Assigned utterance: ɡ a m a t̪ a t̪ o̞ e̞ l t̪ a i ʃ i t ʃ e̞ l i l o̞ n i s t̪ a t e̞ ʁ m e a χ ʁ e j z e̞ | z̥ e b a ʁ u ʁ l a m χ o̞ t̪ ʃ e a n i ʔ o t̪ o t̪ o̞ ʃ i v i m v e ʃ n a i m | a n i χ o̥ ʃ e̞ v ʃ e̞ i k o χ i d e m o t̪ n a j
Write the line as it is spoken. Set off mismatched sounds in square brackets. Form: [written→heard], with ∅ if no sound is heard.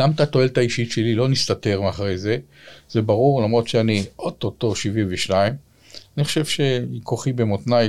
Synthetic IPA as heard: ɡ a m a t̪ a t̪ o̞ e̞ l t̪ a i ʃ i t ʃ e̞ l i l o̞ n i s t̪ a t e̞ ʁ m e a χ ʁ e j z e̞ | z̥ e b a ʁ u ʁ l a m [χ→ʁ] o̞ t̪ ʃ e a n i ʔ o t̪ o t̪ o̞ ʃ i v i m v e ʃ n a i m | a n i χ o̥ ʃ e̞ v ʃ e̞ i k o χ i [d→b] e m o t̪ n a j